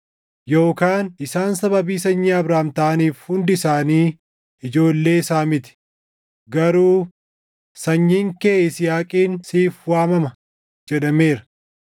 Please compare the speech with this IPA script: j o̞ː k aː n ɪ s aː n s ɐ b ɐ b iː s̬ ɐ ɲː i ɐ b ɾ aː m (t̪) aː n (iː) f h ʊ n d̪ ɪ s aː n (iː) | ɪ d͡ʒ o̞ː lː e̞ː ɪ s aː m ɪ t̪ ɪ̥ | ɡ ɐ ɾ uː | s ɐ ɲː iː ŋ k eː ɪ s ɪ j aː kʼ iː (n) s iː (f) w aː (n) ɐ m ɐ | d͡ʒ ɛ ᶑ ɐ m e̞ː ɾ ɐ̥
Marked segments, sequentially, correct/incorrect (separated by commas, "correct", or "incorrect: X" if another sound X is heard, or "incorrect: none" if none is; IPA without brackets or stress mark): correct, correct, correct, correct, correct, incorrect: m